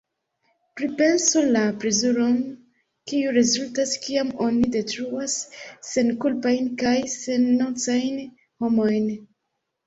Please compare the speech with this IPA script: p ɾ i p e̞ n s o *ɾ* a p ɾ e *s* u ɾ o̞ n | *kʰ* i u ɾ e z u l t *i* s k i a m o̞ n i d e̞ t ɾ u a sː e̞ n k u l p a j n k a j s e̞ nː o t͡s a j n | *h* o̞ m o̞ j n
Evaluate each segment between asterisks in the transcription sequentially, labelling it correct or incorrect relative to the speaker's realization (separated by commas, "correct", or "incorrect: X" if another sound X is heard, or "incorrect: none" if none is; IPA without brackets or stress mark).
incorrect: l, incorrect: z, incorrect: k, incorrect: a, correct